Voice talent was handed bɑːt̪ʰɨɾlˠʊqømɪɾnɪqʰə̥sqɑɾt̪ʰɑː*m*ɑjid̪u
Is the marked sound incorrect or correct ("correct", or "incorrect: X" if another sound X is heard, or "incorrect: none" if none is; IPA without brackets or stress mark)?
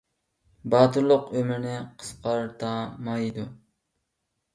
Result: correct